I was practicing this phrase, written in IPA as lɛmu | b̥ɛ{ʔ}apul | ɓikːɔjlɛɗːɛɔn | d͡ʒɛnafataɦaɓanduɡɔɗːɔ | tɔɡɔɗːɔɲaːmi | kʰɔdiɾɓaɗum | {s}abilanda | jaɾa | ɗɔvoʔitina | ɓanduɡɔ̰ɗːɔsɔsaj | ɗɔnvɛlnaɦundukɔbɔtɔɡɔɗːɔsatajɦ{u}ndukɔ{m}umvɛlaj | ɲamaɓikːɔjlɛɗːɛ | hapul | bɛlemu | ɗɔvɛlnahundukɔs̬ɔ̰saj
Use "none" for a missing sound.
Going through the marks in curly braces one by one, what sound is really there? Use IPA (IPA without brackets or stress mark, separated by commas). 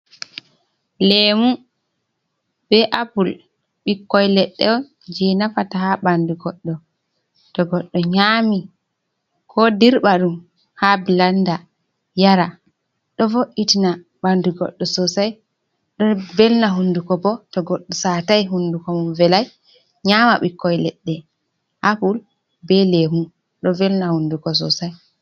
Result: ʔ, h, u, m